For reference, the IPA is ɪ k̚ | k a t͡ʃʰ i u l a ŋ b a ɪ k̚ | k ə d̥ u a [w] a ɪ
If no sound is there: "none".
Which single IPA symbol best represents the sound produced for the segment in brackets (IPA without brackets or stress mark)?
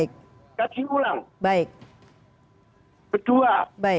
b